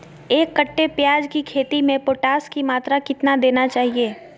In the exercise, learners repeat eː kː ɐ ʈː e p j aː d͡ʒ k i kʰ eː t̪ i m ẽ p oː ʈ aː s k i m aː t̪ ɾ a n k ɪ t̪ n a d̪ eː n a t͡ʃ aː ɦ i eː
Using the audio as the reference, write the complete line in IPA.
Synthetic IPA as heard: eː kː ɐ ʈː e p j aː d͡ʒ k i kʰ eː t̪ i m ẽ p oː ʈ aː s k i m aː t̪ ɾ a k ɪ t̪ n a d̪ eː n a t͡ʃ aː ɦ i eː